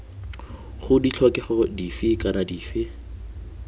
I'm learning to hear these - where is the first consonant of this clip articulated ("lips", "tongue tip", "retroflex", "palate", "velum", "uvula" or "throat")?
uvula